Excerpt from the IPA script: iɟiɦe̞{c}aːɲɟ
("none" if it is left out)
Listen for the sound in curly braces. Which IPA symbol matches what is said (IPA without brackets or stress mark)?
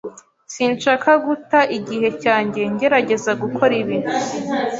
c